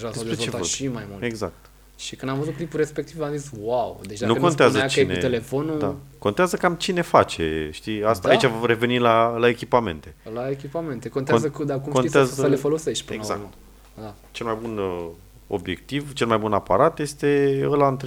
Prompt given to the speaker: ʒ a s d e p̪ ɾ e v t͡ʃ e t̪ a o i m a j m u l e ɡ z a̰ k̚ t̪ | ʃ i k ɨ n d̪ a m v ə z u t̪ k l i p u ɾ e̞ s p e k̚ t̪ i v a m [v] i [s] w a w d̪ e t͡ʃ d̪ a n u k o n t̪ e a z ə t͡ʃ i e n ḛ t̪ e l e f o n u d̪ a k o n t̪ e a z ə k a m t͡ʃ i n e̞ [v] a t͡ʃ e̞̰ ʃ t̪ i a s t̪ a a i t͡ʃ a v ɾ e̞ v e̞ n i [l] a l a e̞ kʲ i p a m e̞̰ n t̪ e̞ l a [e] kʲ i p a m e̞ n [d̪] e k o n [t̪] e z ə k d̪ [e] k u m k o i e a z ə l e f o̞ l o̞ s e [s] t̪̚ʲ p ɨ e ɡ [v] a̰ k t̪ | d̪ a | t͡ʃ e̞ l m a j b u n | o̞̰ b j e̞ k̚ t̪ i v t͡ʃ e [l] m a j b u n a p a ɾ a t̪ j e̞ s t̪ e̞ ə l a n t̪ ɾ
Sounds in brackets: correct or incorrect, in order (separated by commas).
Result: incorrect, correct, incorrect, correct, correct, incorrect, correct, incorrect, incorrect, incorrect, correct